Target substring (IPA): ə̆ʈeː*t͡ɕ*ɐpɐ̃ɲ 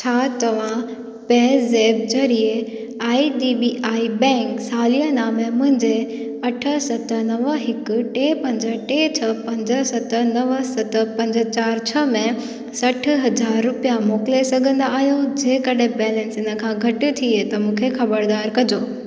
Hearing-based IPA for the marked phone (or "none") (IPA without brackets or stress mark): t͡ɕʰ